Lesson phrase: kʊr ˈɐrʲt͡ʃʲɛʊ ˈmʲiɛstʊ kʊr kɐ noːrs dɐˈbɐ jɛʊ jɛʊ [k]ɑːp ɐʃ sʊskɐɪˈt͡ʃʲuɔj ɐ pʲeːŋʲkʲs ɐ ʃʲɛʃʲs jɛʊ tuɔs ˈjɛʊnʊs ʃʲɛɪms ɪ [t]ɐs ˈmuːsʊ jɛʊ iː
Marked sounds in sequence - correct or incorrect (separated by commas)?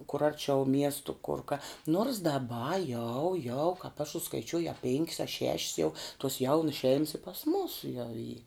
correct, incorrect